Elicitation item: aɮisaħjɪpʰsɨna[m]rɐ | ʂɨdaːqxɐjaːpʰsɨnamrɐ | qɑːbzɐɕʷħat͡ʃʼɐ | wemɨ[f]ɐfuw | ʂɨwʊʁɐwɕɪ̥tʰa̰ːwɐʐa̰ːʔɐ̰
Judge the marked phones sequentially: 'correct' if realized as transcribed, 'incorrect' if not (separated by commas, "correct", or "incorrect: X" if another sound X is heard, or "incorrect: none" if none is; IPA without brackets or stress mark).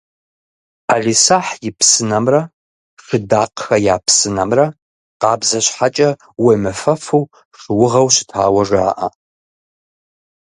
correct, correct